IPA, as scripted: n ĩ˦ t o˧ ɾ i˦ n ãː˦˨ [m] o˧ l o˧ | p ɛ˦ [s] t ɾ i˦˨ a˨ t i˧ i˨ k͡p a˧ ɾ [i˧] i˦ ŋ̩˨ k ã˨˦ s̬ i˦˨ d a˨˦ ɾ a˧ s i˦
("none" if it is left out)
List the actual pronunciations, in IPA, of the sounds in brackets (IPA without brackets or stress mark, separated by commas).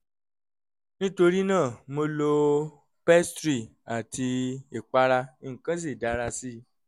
m, s, a˧